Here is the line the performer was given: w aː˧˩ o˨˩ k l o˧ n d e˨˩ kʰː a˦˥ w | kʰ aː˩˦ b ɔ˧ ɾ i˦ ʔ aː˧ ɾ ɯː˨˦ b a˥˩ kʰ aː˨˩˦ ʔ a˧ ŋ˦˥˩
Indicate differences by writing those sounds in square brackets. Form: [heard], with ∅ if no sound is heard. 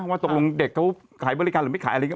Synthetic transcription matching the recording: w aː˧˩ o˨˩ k l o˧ [ŋ] d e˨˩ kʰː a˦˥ w | kʰ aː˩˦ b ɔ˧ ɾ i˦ [k] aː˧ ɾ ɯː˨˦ [m] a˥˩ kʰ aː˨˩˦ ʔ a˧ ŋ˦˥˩